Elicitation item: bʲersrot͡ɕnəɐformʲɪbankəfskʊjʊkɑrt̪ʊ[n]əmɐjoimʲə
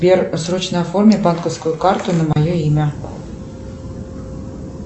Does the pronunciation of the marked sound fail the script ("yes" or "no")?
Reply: no